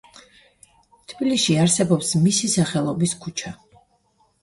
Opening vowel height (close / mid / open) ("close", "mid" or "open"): close